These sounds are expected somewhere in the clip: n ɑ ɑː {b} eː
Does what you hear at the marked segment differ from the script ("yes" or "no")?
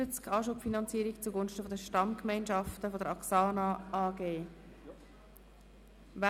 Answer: yes